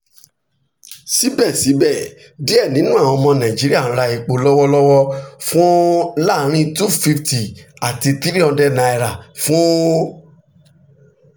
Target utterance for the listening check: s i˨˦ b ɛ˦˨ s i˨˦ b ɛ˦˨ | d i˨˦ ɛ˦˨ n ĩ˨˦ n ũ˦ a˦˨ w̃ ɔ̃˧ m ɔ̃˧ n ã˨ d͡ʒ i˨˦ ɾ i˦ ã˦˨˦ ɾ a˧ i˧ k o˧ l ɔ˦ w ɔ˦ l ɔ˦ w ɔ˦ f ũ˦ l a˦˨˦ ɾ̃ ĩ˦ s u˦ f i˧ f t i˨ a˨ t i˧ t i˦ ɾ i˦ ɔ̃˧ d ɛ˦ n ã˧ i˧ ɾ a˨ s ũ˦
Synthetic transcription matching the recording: s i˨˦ b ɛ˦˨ s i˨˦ b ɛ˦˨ | d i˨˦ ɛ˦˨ n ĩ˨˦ n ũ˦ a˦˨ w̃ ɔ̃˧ m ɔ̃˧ n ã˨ d͡ʒ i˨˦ ɾ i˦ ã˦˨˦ ɾ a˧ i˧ k͡p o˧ l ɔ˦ w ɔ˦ l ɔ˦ w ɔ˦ f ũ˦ l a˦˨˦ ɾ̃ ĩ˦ t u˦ f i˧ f t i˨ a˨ t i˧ t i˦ ɾ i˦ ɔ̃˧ d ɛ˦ n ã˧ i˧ ɾ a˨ f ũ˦